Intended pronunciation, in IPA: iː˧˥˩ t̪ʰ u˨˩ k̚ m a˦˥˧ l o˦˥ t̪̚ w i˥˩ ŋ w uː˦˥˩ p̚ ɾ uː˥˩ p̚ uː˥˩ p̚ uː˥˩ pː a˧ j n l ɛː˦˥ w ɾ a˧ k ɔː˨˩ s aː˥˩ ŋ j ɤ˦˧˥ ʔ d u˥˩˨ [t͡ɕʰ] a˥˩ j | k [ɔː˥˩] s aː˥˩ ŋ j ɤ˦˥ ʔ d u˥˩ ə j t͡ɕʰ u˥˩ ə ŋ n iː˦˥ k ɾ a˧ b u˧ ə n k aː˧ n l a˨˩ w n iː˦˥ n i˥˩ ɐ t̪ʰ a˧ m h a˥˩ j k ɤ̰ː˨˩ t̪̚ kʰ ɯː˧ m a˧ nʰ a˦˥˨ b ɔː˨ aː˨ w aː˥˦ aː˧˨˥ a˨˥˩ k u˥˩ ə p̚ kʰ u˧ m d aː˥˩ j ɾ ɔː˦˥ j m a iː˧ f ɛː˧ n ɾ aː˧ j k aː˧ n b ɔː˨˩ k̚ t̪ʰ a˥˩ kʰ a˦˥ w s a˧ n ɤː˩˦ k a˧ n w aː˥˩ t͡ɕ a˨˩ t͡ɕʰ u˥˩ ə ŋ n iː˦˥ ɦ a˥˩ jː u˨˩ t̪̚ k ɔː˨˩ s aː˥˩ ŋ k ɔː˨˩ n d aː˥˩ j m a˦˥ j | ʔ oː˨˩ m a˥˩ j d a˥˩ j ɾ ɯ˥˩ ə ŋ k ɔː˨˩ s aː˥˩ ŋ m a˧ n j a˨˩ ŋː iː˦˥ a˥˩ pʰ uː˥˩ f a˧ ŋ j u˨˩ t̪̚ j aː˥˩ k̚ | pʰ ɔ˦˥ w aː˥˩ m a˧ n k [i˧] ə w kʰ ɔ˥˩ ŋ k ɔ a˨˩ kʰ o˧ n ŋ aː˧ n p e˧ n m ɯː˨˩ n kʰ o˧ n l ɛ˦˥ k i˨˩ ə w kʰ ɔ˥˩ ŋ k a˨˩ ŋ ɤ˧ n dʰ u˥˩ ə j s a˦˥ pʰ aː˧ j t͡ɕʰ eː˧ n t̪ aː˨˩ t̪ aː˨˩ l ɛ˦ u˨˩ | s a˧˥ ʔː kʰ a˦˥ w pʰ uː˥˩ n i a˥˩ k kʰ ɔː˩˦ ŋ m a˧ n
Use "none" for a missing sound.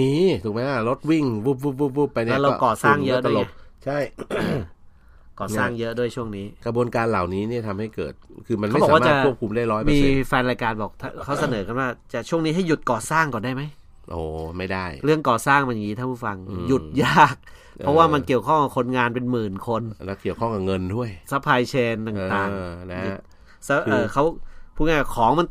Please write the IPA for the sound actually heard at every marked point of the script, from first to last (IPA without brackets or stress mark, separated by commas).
t͡ɕʰ, ɔː˨˩, i˨˩